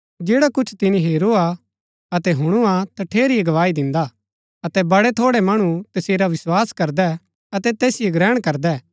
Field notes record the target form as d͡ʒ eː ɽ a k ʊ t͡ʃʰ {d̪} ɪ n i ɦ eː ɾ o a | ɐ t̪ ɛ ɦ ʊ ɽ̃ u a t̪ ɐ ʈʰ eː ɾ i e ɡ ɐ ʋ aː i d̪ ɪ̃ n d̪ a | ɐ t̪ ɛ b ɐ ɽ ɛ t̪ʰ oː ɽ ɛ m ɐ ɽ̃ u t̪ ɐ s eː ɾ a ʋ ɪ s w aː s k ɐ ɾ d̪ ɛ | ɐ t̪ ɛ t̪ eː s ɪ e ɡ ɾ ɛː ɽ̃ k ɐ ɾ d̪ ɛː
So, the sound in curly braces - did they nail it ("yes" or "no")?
no